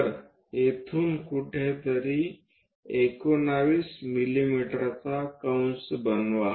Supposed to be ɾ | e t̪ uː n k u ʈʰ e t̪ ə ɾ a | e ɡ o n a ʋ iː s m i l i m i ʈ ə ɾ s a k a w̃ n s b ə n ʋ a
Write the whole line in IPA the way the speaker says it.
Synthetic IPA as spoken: ɾ | e t̪ʰ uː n k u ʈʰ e t̪ ə ɾ i | e k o n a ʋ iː s m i l i m i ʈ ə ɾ t͡s a k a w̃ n s b ə n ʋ a